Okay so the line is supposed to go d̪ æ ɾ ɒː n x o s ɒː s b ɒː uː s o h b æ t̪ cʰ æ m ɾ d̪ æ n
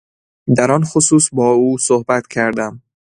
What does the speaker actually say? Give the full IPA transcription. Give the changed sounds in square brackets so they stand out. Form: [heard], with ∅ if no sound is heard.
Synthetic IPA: d̪ æ ɾ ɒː n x o s [uː] s b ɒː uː s o h b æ t̪ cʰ æ [∅] ɾ d̪ æ [m]